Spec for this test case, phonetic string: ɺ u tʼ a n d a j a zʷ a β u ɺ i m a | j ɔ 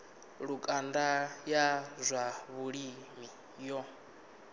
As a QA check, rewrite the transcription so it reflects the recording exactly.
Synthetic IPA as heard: ɺ u kʼ a n d a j a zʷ a β u ɺ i m i | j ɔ